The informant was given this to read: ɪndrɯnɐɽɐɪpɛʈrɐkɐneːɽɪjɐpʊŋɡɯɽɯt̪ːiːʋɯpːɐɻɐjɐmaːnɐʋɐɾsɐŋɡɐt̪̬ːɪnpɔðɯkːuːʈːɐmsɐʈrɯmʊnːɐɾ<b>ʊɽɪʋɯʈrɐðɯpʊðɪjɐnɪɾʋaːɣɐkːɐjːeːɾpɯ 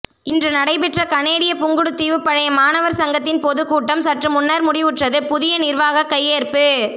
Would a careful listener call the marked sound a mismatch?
yes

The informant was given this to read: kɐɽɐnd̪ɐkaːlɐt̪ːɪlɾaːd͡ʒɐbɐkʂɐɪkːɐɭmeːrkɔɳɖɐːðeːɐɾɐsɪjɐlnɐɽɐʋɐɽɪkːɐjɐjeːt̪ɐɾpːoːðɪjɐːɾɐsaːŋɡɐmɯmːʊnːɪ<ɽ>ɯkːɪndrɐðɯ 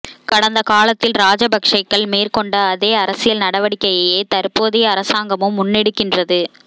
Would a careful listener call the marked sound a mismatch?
no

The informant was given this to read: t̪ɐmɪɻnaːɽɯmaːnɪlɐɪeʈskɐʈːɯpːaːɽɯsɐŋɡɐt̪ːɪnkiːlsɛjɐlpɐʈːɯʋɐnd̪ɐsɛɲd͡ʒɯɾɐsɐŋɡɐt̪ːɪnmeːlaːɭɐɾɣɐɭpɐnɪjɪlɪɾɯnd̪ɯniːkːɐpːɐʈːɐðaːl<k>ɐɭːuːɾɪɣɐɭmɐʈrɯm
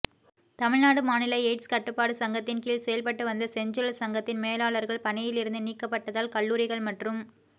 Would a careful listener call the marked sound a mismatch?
no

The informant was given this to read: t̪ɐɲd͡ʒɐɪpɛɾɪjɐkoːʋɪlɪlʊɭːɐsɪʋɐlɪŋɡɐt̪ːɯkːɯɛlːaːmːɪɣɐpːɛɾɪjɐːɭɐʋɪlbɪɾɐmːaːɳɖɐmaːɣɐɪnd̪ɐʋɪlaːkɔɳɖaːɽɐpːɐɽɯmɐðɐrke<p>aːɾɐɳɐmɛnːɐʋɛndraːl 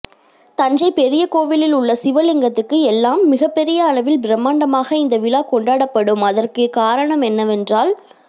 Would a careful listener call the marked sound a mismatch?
yes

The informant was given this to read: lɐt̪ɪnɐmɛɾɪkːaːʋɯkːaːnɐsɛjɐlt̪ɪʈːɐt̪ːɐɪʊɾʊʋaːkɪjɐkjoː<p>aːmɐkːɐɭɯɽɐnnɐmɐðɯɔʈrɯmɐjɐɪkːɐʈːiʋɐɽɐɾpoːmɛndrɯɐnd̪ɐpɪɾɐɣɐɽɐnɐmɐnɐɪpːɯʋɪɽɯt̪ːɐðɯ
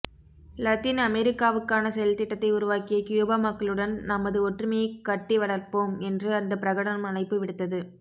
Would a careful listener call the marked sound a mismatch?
yes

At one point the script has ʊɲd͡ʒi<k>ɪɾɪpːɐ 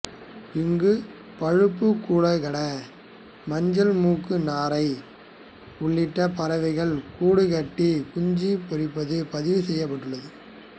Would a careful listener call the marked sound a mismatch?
yes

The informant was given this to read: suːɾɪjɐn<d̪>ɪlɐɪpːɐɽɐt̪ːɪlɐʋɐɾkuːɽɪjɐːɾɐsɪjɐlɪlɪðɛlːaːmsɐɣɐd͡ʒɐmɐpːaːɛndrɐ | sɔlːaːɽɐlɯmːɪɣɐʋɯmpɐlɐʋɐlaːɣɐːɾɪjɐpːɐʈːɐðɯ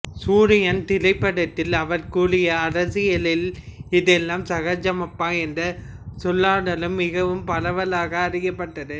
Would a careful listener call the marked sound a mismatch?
yes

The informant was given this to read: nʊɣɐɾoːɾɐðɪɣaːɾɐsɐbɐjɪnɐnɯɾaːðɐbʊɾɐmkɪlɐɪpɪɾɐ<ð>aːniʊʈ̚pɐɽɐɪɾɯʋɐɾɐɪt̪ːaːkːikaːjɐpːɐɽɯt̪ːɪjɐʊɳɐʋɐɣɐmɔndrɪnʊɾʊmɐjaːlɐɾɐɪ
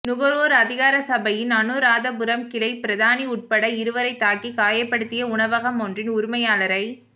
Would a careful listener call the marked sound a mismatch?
no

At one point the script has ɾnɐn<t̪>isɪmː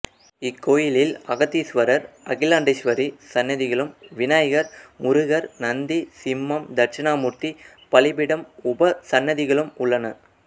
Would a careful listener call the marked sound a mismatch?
yes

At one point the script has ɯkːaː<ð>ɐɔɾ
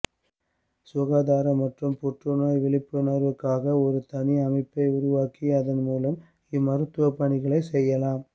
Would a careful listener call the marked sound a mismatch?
yes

